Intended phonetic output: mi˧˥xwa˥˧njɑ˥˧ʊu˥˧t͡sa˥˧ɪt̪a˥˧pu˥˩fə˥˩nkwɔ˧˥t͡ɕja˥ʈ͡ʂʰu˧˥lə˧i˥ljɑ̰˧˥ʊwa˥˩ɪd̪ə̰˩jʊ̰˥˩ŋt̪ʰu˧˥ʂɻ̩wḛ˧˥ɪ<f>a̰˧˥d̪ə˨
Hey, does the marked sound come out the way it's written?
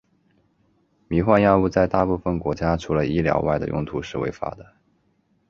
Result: yes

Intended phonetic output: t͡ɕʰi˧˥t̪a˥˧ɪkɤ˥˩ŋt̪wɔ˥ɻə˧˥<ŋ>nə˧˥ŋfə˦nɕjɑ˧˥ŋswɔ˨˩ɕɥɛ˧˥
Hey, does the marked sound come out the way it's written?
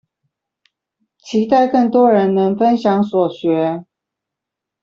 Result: no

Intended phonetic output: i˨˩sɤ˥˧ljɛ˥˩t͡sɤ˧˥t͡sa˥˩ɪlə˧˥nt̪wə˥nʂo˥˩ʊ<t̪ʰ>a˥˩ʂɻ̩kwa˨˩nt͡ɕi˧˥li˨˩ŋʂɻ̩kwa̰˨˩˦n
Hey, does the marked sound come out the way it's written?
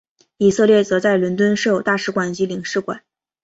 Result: no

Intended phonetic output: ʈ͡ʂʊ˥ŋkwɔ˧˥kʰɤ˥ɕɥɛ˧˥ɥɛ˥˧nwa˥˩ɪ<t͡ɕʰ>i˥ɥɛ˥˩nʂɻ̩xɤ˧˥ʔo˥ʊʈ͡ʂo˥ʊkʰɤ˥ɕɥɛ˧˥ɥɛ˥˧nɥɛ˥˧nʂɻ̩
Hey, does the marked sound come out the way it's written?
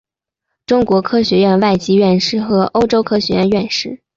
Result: no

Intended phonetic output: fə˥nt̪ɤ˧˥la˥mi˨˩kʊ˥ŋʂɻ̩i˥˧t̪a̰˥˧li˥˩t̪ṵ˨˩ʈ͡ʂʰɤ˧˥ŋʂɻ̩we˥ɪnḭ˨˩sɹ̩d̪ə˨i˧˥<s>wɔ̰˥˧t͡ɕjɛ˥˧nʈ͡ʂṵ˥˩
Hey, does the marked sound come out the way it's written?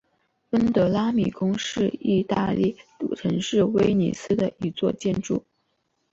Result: no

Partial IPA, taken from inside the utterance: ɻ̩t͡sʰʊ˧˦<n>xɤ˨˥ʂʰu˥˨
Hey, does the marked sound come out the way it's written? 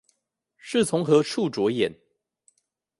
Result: no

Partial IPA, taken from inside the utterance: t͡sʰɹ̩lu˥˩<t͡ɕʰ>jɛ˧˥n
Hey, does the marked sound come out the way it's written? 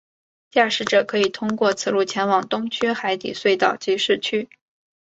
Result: yes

